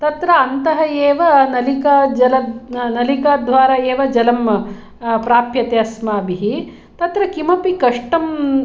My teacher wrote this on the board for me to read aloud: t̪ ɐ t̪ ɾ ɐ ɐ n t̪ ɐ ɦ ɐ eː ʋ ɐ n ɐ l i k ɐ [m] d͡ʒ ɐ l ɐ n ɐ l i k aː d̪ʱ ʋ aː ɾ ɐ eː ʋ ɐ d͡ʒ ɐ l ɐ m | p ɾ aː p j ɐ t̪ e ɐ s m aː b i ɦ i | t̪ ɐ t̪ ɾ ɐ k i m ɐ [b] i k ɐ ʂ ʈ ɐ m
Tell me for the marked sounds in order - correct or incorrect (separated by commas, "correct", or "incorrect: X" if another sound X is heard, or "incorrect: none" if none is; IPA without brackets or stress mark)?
incorrect: none, incorrect: p